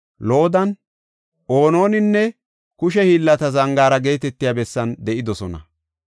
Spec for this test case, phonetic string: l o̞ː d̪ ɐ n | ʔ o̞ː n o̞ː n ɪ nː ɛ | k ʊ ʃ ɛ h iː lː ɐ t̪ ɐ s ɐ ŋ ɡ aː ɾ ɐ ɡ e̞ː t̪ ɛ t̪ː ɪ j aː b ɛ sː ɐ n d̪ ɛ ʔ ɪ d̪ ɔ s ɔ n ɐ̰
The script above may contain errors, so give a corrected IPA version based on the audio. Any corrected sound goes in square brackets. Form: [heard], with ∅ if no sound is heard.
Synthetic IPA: l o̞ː d̪ ɐ n | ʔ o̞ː n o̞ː n ɪ nː ɛ | k ʊ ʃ ɛ h iː lː ɐ t̪ ɐ [z] ɐ ŋ ɡ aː ɾ ɐ ɡ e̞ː t̪ ɛ t̪ː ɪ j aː b ɛ sː ɐ n d̪ ɛ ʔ ɪ d̪ ɔ s ɔ n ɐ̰

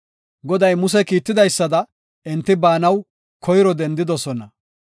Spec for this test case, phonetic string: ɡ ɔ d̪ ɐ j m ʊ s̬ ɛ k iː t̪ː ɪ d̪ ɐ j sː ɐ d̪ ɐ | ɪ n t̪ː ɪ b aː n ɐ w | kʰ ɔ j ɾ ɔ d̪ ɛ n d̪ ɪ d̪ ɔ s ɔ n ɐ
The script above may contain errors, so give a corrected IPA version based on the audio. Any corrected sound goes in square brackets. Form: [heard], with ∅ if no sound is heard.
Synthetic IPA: ɡ ɔ d̪ ɐ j m ʊ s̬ ɛ k iː t̪ː ɪ d̪ ɐ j sː ɐ d̪ ɐ | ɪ n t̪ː ɪ b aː n ɐ w | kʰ ɔ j ɾ ɔ d̪ ɛ n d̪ ɪ d̪ ɔ s ɔ n ɐ

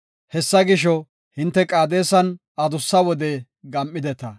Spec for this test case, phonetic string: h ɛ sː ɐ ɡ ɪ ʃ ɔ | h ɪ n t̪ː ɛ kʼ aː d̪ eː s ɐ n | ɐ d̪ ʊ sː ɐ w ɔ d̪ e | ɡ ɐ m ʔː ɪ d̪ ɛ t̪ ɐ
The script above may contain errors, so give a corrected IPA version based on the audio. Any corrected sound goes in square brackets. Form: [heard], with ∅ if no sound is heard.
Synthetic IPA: h ɛ sː ɐ ɡ ɪ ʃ ɔ | h ɪ n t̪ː ɛ kʼ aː d̪ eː s ɐ n | ɐ d̪ ʊ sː ɐ w ɔ d̪ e | ɡ ɐ m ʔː ɪ d̪ ɛ t̪ ɐ

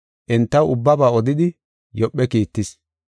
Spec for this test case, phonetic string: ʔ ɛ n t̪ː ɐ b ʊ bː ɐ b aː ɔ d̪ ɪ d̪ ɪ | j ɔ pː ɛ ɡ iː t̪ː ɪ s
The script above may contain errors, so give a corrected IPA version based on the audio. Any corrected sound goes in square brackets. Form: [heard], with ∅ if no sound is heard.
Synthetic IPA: ʔ ɛ n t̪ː ɐ [w] ʊ bː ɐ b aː ɔ d̪ ɪ d̪ ɪ | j ɔ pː ɛ [k] iː t̪ː ɪ s

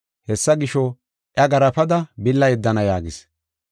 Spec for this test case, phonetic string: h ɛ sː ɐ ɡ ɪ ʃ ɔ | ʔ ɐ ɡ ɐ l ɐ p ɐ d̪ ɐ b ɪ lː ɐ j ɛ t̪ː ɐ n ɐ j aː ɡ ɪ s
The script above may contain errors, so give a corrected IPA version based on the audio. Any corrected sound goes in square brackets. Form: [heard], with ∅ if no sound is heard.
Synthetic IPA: h ɛ sː ɐ ɡ ɪ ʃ ɔ | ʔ ɐ ɡ ɐ [ɾ] ɐ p ɐ d̪ ɐ b ɪ lː ɐ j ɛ [d̪ː] ɐ n ɐ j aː ɡ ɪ s

